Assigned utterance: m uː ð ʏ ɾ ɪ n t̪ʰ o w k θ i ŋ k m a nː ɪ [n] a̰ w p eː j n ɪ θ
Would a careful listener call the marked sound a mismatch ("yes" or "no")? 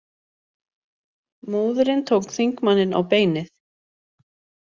no